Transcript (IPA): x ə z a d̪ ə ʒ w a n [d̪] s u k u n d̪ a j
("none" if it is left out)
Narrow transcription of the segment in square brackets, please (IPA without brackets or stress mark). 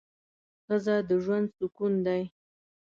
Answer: d̪